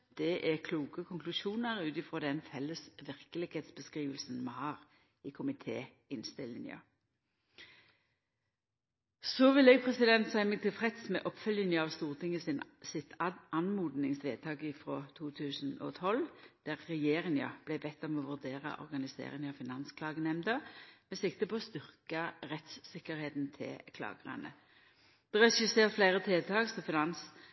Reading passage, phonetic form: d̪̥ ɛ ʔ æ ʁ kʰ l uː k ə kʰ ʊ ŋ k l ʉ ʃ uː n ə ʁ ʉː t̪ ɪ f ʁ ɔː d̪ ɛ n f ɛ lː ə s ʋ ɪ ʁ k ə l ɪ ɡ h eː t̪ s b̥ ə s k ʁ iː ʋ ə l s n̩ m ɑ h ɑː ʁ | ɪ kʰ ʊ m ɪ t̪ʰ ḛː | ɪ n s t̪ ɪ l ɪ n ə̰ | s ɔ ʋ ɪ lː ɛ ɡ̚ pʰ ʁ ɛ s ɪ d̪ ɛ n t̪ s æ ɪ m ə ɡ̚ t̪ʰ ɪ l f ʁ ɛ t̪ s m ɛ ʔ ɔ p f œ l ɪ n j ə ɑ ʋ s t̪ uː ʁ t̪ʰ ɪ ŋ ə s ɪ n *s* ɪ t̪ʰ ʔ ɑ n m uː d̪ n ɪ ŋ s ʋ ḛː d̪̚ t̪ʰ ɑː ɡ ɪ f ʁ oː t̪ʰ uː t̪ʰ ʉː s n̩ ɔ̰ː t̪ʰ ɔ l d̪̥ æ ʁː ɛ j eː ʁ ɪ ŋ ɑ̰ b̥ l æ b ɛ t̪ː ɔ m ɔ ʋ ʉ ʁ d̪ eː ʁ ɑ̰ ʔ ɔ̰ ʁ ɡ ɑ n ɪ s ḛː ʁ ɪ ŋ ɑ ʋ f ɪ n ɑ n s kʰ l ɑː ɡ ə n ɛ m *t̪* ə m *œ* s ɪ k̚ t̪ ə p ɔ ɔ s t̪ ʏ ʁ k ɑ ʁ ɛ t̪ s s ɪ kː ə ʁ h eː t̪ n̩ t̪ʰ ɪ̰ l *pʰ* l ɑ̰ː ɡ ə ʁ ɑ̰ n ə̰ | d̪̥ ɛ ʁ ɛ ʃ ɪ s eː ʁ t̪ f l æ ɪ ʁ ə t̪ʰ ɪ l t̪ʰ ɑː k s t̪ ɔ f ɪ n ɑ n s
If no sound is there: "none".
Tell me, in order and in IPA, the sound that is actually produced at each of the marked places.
s, d̪, ɛ, kʰ

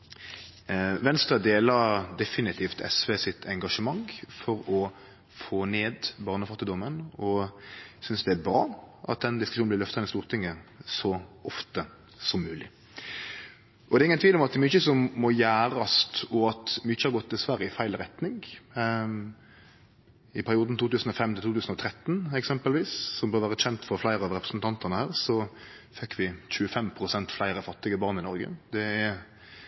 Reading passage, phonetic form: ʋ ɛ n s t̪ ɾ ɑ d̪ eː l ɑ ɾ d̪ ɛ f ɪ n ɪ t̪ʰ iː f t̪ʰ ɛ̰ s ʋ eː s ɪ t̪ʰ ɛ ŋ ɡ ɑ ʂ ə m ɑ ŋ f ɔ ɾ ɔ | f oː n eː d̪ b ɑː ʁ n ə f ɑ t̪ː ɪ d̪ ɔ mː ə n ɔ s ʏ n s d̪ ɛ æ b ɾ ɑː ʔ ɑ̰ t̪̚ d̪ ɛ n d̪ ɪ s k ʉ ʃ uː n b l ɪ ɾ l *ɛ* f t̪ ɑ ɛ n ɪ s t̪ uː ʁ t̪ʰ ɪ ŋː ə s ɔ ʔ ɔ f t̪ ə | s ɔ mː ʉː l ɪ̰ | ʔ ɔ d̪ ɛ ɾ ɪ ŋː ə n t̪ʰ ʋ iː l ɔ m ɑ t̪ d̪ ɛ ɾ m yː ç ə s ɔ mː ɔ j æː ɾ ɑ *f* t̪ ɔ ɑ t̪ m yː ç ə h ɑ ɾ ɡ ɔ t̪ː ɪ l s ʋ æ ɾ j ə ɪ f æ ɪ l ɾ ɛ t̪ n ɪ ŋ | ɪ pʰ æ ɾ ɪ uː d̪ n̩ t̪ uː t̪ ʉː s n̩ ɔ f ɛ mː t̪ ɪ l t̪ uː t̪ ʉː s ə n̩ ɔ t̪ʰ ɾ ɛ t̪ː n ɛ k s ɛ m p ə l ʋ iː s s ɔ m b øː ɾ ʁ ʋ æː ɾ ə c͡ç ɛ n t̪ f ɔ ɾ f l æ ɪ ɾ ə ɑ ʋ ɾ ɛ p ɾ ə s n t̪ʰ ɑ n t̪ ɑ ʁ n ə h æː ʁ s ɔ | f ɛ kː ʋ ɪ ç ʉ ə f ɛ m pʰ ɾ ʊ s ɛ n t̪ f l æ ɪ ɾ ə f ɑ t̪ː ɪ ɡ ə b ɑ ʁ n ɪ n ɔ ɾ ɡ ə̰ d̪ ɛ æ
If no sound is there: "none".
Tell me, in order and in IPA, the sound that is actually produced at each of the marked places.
œ, s

